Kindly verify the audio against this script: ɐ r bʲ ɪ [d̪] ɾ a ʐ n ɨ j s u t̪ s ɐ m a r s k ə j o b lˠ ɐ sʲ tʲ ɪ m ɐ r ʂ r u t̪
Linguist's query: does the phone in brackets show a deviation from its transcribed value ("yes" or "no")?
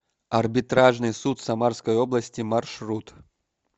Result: yes